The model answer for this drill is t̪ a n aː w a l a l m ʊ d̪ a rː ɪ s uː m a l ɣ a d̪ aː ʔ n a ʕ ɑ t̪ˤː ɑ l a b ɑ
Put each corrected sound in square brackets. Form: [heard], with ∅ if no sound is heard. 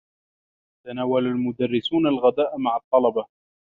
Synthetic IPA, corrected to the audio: t̪ a n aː w a l a l m ʊ d̪ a rː ɪ s uː [n] a l ɣ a d̪ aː ʔ [m] a ʕ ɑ t̪ˤː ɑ l [ɑ] b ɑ